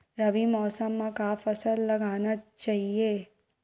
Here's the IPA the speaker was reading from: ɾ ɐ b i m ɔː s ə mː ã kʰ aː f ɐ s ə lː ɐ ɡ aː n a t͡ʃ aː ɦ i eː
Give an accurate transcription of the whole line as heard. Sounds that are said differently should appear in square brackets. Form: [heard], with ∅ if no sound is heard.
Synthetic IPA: ɾ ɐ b i m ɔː s ə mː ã [k] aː f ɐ s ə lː ɐ ɡ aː n a t͡ʃ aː ɦ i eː